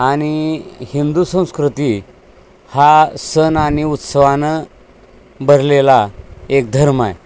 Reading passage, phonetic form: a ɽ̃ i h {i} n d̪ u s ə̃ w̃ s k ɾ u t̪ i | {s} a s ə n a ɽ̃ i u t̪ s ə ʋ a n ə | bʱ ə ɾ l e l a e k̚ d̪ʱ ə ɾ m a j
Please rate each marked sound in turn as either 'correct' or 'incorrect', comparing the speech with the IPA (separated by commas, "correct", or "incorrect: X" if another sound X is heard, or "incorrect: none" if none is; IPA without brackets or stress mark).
correct, incorrect: h